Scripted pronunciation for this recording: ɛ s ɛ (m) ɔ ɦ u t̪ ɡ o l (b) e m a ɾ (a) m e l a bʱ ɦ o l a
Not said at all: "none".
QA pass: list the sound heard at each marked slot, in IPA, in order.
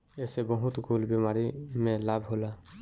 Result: b, b, i

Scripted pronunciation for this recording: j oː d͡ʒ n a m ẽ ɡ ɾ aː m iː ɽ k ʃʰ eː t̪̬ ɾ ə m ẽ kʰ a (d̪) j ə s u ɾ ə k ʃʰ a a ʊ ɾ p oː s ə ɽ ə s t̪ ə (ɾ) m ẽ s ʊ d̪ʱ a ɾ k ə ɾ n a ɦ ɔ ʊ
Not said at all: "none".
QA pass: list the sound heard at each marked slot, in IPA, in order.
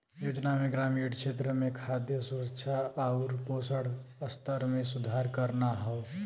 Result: d̪, ɾ

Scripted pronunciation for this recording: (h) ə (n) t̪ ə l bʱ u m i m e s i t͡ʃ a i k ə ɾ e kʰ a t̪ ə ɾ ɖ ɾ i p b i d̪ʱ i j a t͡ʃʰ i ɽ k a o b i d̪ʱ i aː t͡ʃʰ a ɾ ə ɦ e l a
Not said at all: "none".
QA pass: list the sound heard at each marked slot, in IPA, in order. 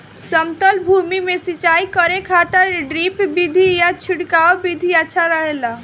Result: s, m

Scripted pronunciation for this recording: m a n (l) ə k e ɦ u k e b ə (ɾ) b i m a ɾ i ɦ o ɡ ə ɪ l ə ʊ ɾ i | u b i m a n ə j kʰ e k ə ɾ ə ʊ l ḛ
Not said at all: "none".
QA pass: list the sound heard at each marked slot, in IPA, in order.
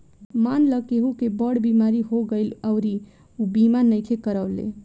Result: l, ɽ

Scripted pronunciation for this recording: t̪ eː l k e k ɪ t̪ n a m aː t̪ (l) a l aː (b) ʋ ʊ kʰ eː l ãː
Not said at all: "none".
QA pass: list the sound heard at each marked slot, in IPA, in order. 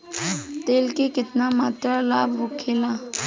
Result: ɾ, b

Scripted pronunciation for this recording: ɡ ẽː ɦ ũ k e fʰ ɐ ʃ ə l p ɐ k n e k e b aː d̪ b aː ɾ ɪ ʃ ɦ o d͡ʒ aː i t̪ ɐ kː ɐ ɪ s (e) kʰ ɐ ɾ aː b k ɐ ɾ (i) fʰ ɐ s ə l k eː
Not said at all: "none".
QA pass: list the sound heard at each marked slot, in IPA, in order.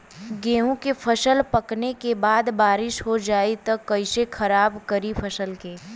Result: e, i

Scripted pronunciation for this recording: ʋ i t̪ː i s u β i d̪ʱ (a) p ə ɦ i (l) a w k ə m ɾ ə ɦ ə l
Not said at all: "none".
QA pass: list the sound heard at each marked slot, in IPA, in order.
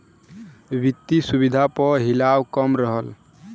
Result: a, l

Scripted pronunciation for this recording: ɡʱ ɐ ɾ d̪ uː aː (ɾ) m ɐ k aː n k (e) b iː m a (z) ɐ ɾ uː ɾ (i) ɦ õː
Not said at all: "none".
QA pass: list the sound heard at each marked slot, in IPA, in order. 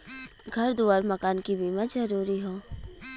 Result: ɾ, i, z, i

